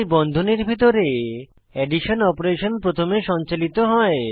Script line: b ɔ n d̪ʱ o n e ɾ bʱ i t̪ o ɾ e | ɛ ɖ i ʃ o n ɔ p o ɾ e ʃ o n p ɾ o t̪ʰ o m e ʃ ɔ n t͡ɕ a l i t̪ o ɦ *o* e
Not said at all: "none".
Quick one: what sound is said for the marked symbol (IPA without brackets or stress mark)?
ɔ